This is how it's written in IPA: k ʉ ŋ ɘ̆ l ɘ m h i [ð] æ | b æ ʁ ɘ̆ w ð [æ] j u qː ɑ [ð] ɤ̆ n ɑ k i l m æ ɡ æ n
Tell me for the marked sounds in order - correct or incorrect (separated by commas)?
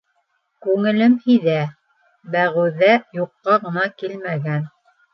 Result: correct, correct, incorrect